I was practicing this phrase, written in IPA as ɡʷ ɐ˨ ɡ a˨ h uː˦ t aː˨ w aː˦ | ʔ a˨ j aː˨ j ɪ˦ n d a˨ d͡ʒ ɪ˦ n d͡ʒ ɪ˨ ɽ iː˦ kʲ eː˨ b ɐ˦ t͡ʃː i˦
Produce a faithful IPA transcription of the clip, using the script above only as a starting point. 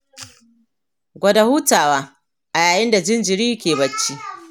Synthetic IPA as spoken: ɡʷ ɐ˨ d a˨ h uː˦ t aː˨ w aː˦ | ʔ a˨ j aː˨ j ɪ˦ n d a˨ d͡ʒ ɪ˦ n d͡ʒ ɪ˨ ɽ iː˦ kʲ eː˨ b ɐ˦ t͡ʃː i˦